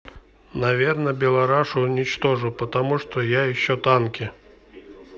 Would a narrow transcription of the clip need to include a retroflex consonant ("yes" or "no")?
yes